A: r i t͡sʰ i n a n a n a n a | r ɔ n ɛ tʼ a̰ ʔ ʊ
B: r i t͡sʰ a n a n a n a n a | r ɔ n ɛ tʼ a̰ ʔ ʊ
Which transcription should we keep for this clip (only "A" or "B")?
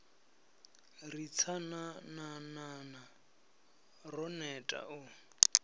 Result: B